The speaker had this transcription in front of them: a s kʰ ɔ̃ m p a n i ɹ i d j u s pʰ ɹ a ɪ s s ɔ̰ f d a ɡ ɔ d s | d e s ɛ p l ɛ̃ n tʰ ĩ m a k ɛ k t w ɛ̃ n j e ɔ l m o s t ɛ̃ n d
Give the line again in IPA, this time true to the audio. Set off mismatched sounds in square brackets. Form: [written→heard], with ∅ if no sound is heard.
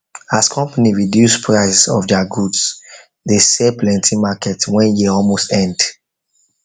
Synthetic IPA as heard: a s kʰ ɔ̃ m p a n i ɹ i d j u s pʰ ɹ a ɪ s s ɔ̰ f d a ɡ [ɔ→u] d s | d e s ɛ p l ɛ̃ n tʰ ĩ m a k ɛ [k→∅] t w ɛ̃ n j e ɔ l m o s t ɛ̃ n d